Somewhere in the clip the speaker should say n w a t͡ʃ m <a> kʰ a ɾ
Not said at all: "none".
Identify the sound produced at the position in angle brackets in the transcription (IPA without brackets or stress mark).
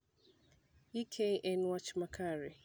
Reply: a